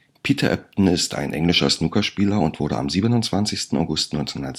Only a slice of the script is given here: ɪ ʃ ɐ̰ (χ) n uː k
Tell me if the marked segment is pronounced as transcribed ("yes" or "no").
no